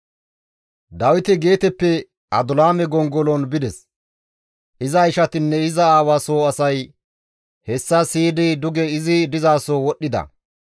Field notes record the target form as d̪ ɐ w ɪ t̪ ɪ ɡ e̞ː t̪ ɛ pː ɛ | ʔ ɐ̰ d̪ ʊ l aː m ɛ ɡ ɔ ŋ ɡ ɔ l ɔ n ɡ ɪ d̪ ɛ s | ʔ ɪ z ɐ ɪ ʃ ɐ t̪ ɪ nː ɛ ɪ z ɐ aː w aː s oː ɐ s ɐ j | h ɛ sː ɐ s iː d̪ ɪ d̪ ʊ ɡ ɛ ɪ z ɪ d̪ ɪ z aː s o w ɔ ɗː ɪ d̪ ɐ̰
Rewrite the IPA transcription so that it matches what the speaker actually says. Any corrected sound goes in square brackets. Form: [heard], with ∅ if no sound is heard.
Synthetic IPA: d̪ ɐ w ɪ t̪ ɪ ɡ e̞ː t̪ ɛ pː ɛ | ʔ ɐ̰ d̪ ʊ l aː m ɛ ɡ ɔ ŋ ɡ ɔ l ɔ n [b] ɪ d̪ ɛ s | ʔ ɪ z ɐ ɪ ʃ ɐ t̪ ɪ nː ɛ ɪ z ɐ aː w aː s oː ɐ s ɐ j | h ɛ sː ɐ s iː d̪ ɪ d̪ ʊ ɡ ɛ ɪ z ɪ d̪ ɪ z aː s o w ɔ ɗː ɪ d̪ ɐ̰